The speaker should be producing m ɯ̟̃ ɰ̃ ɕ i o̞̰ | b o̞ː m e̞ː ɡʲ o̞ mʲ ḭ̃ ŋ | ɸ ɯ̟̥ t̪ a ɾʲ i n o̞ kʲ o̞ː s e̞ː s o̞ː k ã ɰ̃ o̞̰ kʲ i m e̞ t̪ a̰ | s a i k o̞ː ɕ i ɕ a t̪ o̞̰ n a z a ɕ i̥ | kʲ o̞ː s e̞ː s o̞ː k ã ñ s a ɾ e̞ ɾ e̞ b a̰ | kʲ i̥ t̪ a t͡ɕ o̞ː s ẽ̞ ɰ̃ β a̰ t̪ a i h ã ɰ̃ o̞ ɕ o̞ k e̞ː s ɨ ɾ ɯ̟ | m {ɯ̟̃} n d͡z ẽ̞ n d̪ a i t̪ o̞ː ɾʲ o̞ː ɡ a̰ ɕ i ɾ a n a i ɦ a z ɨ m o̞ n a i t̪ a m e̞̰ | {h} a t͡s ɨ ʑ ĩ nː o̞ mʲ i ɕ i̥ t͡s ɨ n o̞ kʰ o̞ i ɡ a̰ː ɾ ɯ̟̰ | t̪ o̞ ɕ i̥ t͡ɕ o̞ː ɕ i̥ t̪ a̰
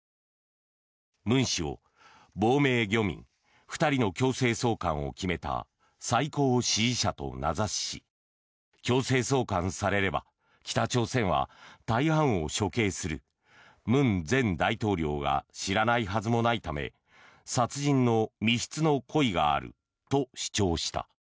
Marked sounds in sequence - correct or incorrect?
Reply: correct, incorrect

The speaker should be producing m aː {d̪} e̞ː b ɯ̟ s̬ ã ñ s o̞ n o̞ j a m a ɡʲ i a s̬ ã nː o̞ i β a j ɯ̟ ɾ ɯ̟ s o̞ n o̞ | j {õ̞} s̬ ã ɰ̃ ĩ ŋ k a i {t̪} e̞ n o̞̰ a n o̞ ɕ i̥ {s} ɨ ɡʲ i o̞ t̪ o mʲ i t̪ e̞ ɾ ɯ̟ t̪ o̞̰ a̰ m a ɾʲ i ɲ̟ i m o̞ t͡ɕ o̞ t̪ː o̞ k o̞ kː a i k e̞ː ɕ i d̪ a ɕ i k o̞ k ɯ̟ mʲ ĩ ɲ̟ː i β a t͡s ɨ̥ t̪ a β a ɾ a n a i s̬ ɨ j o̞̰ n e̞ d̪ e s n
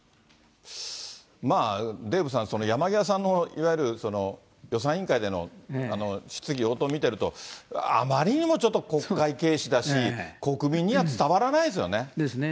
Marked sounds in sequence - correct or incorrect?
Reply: correct, incorrect, incorrect, incorrect

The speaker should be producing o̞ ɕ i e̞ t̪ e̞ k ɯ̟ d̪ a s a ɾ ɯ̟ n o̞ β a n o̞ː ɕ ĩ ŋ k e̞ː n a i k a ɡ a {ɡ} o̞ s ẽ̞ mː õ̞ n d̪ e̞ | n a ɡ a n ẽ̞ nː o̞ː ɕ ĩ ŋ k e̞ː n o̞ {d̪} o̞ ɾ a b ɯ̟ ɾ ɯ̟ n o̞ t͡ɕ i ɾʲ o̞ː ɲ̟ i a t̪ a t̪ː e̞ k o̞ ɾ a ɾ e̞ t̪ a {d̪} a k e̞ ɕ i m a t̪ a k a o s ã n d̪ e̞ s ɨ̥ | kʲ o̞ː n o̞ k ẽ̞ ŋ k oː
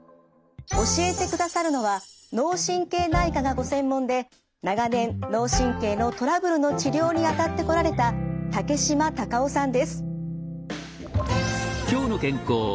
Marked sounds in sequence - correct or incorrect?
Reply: correct, incorrect, incorrect

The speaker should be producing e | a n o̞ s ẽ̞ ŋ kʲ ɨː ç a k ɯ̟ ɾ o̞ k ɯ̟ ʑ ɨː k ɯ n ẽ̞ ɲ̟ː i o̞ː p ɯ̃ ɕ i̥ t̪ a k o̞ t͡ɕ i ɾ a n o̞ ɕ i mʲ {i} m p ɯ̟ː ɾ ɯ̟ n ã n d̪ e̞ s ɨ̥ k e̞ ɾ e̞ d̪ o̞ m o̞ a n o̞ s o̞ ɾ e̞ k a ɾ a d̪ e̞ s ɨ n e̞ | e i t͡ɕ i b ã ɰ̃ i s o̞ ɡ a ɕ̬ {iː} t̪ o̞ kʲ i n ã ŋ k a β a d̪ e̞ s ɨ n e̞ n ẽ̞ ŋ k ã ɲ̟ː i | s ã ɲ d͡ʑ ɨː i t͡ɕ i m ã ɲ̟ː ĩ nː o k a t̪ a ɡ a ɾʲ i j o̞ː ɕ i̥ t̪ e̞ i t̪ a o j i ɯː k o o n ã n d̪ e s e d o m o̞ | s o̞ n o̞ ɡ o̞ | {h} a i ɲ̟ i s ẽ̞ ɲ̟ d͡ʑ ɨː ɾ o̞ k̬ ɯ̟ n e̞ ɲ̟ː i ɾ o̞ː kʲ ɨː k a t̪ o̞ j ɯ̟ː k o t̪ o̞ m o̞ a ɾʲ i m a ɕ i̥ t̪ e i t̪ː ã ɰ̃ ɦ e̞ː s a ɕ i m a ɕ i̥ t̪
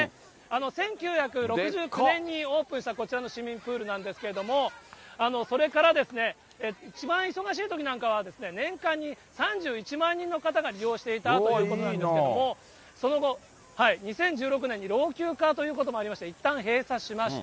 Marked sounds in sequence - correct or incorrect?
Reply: incorrect, correct, correct

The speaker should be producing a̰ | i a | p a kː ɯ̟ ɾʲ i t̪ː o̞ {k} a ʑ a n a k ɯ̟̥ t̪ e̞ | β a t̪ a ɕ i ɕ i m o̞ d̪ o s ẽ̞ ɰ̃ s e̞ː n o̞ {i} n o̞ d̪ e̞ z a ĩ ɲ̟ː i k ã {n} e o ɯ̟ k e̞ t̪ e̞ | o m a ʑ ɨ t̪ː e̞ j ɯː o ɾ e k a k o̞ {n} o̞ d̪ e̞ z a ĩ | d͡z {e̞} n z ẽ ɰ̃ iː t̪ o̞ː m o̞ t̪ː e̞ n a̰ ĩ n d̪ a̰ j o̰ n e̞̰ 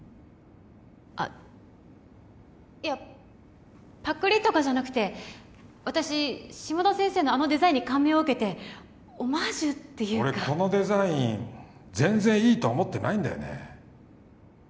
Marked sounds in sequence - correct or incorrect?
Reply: correct, incorrect, incorrect, correct, incorrect

